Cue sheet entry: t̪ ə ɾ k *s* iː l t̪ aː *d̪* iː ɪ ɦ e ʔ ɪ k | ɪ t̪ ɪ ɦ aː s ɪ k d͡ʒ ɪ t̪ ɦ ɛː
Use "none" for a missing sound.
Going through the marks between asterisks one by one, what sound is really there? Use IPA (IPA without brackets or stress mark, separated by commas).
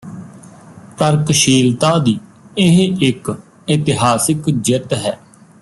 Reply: ʃ, d̪